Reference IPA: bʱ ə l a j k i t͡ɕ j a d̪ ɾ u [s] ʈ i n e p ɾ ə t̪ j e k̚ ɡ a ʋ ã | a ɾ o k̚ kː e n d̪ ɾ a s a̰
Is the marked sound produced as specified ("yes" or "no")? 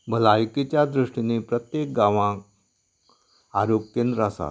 no